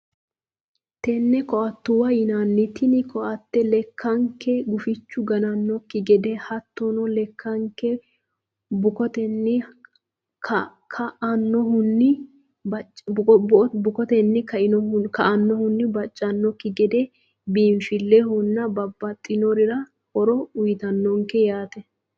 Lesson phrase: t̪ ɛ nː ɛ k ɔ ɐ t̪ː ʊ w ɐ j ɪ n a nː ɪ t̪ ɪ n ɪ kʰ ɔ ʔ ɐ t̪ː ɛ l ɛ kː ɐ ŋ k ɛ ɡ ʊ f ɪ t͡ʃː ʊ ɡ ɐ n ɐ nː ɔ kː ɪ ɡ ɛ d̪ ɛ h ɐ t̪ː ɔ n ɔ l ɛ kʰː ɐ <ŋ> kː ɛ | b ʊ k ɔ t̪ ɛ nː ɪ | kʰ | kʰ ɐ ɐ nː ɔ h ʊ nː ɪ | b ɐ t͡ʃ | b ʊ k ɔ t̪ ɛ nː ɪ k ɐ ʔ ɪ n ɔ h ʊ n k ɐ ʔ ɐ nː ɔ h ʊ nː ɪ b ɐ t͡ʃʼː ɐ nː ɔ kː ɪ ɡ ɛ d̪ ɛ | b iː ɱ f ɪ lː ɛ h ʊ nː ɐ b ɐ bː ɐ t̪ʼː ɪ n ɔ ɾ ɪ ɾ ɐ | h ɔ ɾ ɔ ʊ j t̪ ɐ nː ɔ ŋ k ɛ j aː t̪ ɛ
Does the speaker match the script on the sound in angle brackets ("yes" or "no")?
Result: yes